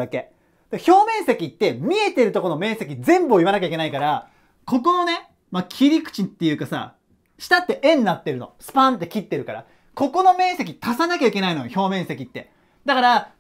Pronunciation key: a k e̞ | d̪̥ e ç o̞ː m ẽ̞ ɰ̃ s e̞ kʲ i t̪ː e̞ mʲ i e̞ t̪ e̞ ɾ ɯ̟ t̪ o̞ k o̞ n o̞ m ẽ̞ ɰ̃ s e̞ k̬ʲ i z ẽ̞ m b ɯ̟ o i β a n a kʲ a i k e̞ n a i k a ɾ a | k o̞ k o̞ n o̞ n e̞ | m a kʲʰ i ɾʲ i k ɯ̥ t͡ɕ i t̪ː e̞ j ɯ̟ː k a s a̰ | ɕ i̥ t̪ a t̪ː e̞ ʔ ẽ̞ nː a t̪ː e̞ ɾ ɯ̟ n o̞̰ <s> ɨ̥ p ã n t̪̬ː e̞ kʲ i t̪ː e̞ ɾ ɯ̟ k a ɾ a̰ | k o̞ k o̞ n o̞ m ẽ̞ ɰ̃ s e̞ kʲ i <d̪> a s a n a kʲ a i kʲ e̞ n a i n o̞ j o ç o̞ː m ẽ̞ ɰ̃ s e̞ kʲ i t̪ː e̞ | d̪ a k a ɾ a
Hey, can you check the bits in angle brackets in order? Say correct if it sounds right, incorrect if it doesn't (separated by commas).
correct, incorrect